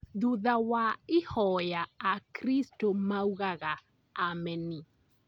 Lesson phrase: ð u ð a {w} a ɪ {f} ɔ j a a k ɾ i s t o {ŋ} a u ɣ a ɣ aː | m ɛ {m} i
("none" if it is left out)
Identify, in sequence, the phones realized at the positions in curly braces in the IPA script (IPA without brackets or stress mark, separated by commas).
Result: w, h, m, n